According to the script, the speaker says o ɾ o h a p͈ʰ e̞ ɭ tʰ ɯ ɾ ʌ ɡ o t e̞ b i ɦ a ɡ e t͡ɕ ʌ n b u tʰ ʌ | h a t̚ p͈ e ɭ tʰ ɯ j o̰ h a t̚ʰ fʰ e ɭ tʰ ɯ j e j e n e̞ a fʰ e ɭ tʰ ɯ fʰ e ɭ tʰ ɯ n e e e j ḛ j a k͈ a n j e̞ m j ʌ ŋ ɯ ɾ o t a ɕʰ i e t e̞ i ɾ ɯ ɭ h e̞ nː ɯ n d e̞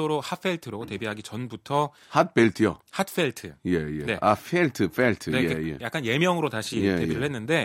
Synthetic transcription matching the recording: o ɾ o h a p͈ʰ e̞ ɭ tʰ ɯ ɾ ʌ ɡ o t e̞ b i ɦ a ɡ i t͡ɕ ʌ n b u tʰ ʌ | h a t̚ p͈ e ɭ tʰ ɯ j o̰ h a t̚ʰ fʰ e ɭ tʰ ɯ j e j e n e̞ a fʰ e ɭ tʰ ɯ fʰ e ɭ tʰ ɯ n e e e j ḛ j a k͈ a n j e̞ m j ʌ ŋ ɯ ɾ o t a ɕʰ i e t e̞ i ɾ ɯ ɭ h e̞ nː ɯ n d e̞